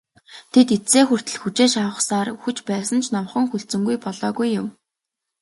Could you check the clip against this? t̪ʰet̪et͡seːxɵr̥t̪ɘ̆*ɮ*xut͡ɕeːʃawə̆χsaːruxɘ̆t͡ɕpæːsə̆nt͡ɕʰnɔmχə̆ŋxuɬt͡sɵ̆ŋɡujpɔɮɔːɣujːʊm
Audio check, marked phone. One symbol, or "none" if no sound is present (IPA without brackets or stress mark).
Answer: ɮ